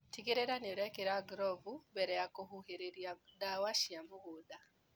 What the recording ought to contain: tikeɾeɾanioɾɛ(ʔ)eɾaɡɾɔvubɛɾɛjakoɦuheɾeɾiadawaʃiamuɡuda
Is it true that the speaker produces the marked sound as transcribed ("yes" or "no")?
no